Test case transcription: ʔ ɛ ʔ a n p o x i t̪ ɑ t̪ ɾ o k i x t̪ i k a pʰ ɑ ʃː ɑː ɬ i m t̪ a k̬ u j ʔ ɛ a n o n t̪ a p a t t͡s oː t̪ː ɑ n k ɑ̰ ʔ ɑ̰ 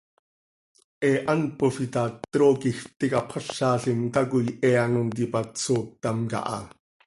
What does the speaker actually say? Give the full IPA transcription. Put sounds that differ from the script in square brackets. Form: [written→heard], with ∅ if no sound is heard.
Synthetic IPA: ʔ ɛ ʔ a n p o [x→f] i t̪ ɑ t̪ ɾ o k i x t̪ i k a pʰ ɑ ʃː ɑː ɬ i m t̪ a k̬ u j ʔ ɛ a n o n t̪ [a→i] p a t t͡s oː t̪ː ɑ [n→m] k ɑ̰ ʔ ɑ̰